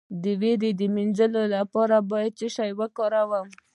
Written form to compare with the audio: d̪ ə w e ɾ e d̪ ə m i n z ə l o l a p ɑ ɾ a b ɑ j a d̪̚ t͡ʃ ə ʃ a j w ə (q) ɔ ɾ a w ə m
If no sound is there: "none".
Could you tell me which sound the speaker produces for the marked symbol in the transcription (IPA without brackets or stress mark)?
k